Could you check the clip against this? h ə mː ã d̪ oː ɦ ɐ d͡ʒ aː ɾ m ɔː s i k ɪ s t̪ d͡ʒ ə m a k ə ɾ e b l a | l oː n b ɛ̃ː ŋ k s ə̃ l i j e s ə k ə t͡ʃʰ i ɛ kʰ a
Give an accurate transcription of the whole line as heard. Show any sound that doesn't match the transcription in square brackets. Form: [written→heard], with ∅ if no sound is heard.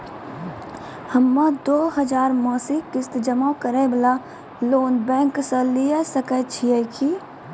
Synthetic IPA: h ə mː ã d̪ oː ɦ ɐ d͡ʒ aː ɾ m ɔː s i k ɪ s t̪ d͡ʒ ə m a k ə ɾ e b l a | l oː n b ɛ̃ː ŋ k s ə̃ l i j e s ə k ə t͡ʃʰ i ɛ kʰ [a→i]